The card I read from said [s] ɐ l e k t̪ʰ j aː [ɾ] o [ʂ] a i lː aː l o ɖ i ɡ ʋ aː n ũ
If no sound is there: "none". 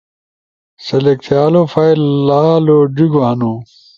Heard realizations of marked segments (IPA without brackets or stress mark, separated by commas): s, l, f